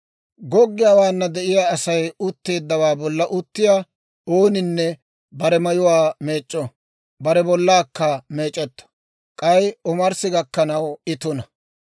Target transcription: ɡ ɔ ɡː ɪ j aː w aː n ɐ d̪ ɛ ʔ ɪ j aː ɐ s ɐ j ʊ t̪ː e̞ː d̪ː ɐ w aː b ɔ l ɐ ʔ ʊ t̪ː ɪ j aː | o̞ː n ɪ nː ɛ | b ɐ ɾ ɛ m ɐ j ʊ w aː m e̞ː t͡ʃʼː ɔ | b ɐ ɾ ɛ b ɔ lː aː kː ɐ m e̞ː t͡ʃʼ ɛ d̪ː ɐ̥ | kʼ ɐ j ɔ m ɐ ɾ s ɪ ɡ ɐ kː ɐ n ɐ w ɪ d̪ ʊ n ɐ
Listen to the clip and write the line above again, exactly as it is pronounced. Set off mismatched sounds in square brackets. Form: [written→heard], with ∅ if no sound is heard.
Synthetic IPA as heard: ɡ ɔ ɡː ɪ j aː w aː [n→nː] ɐ d̪ ɛ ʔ ɪ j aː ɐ s ɐ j ʊ t̪ː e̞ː d̪ː ɐ w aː b ɔ [l→lː] ɐ ʔ ʊ t̪ː ɪ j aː | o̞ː n ɪ nː ɛ | b ɐ ɾ ɛ m ɐ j ʊ w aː m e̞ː t͡ʃʼː ɔ | b ɐ ɾ ɛ b ɔ lː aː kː ɐ m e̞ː t͡ʃʼ ɛ [d̪ː→t̪ː] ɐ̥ | kʼ ɐ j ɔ m ɐ ɾ s ɪ ɡ ɐ kː ɐ n ɐ w ɪ [d̪→t̪] ʊ n ɐ